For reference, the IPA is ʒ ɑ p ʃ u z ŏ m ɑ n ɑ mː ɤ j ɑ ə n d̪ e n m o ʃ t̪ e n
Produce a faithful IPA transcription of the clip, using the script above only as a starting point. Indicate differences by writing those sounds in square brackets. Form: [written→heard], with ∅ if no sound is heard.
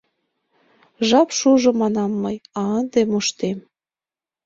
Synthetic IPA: ʒ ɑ p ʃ u [z→ʒ] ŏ m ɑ n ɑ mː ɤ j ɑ ə n d̪ e [n→∅] m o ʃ t̪ e [n→m]